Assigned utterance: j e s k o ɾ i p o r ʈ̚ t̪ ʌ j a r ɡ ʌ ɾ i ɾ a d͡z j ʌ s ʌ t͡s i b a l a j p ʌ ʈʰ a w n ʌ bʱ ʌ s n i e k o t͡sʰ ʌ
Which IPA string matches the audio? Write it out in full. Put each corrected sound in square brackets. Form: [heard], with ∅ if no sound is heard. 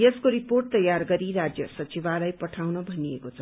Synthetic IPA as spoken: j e s k o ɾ i p o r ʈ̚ t̪ ʌ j a r ɡ ʌ ɾ i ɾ a d͡z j ʌ s ʌ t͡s i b a l a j p ʌ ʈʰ a w n ʌ bʱ ʌ [∅] n i e k o t͡sʰ ʌ